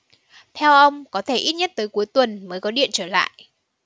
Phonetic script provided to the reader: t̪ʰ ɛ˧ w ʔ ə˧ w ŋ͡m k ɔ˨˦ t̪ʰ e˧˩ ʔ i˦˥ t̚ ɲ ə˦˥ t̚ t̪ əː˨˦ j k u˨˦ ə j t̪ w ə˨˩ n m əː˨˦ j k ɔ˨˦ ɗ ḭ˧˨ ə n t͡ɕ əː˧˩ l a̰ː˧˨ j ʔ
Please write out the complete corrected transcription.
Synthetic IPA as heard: t̪ʰ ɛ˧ w ʔ ə˧ w ŋ͡m k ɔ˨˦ t̪ʰ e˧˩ ʔ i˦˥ t̚ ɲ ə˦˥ t̚ t̪ əː˨˦ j k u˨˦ ə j t̪ w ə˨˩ n m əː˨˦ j k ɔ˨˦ ɗ ḭ˧˨ ə n t͡ɕ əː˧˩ l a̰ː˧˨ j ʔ

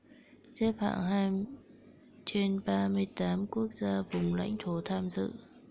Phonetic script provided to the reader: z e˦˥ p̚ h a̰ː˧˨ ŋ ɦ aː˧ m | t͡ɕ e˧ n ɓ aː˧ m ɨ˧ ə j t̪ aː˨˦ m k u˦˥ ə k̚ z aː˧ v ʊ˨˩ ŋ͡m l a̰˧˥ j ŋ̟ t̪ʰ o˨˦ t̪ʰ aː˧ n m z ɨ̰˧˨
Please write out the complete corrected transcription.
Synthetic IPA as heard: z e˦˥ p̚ h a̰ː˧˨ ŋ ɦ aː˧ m | t͡ɕ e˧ n ɓ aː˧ m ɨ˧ ə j t̪ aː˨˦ m k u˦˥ ə k̚ z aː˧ v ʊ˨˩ ŋ͡m l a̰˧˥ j ŋ̟ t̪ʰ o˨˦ t̪ʰ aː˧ m z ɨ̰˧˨

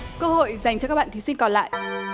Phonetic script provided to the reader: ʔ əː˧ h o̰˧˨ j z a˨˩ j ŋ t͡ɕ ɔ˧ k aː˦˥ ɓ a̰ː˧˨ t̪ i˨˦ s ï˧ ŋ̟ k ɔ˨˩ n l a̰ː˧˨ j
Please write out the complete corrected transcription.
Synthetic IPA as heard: k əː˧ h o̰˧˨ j z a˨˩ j ŋ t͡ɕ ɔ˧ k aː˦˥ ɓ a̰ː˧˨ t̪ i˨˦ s ï˧ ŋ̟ k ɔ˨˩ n l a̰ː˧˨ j

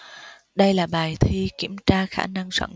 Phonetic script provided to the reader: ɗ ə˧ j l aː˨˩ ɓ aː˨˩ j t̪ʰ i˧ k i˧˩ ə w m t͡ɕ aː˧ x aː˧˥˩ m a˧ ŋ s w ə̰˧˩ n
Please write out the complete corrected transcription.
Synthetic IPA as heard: ɗ ə˧ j l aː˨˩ ɓ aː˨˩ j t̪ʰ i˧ k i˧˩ ə m t͡ɕ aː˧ x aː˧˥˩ n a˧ ŋ s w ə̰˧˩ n

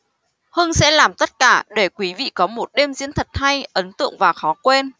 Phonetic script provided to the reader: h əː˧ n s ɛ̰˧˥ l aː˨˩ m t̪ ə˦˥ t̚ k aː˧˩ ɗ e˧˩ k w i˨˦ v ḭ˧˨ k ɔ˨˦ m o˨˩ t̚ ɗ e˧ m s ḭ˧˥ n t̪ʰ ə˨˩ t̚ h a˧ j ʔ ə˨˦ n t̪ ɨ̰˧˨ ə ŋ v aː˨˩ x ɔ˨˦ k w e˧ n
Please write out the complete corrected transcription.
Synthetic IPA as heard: h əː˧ n s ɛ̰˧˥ l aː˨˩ m t̪ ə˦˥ t̚ k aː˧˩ ɗ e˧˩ k w i˨˦ v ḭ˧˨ k ɔ˨˦ m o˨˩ t̚ ɗ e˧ m z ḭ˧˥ n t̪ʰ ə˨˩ t̚ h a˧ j ʔ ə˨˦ n t̪ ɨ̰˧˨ ə ŋ v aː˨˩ x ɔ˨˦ k w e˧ n

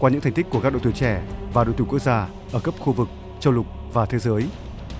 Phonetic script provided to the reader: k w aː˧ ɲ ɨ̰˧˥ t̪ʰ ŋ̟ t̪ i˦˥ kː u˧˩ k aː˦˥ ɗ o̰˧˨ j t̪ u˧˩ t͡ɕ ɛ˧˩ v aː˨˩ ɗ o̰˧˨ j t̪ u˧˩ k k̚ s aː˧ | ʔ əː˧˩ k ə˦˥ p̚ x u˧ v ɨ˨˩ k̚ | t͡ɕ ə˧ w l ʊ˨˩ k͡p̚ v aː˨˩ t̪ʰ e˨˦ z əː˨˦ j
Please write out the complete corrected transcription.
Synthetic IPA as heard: k w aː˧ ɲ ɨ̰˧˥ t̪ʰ ŋ̟ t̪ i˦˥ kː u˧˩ k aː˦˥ ɗ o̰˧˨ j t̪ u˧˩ t͡ɕ ɛ˧˩ v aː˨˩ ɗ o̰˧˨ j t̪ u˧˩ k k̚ z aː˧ | ʔ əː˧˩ k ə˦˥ p̚ x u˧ v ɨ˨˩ k̚ | t͡ɕ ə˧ w l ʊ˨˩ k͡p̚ v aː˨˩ t̪ʰ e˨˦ z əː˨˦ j

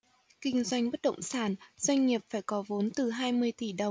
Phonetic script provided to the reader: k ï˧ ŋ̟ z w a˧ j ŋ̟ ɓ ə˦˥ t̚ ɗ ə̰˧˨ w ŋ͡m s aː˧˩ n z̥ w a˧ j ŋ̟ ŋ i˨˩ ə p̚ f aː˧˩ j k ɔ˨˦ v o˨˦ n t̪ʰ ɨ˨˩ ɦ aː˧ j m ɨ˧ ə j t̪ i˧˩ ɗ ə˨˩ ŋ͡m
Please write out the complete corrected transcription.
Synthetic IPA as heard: k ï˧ ŋ̟ z w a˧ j ŋ̟ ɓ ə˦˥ t̚ ɗ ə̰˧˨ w ŋ͡m s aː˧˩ n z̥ w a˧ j ŋ̟ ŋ i˨˩ ə p̚ f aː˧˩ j k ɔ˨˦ v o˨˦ n t̪ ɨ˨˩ ɦ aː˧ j m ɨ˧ ə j t̪ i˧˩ ɗ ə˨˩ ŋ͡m

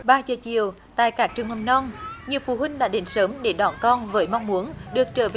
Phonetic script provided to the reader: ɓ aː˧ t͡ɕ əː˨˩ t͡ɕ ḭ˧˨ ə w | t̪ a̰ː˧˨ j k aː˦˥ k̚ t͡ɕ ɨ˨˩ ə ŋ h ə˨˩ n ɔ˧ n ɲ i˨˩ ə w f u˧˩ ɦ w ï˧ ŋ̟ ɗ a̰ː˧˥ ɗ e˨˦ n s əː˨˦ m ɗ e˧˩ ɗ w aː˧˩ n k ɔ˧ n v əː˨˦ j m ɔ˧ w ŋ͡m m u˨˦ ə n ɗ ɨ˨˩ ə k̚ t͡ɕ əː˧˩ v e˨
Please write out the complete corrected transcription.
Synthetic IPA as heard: ɓ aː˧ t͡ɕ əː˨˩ t͡ɕ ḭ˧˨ ə w | t̪ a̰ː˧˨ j k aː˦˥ k̚ t͡ɕ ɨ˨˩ ə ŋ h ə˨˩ n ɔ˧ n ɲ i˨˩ ə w f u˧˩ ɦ w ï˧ ŋ̟ ɗ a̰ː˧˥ ɗ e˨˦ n s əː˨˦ m ɗ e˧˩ ɗ w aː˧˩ n k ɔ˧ n v əː˨˦ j m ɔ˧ w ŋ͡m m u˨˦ ə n ɗ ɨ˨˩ ə k̚ t͡ɕ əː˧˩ v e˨

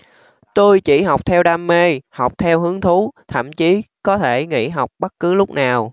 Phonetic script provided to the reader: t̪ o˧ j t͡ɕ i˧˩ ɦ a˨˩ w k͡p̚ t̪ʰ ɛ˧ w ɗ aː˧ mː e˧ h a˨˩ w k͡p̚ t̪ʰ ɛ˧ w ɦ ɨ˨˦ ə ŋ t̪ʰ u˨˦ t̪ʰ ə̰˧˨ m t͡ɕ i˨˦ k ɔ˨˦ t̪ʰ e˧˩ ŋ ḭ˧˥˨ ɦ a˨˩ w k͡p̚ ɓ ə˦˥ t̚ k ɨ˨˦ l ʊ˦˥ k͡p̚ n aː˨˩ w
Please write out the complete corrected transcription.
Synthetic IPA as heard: t̪ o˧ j t͡ɕ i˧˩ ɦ a˨˩ w k͡p̚ t̪ʰ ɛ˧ w ɗ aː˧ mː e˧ h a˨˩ w k͡p̚ t̪ʰ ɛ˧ w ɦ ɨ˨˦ ə ŋ t̪ʰ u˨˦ t̪ʰ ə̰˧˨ m t͡ɕ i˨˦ k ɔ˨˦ t̪ʰ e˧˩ ŋ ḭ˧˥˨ ɦ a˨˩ w k͡p̚ ɓ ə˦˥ t̚ k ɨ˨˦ l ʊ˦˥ k͡p̚ n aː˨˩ w

